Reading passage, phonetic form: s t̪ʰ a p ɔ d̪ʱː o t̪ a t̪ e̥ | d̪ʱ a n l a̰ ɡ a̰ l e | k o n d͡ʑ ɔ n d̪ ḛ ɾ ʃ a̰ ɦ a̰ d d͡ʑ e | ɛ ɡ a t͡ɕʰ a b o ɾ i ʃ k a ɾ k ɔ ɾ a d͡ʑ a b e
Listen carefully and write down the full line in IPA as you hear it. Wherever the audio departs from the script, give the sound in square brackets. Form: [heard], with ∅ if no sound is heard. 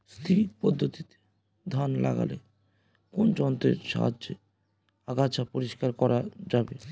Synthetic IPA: s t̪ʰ [i] p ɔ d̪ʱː o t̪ [i] t̪ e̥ | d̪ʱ a n l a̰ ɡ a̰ l e | k o n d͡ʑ ɔ n [t̪] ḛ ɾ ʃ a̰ ɦ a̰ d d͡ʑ e | [a] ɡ a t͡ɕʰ a [p] o ɾ i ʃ k a ɾ k ɔ ɾ a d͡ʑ a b e